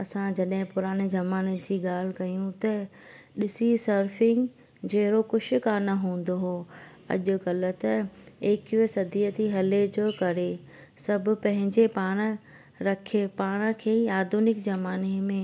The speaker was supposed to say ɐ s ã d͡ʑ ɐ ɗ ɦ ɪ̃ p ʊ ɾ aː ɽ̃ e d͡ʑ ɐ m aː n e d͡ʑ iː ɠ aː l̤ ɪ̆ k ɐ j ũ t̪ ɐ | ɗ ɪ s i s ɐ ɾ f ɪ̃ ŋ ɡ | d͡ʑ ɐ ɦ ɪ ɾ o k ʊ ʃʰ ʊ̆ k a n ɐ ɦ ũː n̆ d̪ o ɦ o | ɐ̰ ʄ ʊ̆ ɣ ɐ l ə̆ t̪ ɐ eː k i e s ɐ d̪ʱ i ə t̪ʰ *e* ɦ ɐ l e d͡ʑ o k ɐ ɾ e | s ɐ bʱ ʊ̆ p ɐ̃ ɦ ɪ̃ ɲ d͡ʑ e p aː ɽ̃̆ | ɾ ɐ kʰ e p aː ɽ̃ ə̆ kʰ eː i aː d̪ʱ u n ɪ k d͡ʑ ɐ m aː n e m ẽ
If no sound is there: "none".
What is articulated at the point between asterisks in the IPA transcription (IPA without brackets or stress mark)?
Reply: i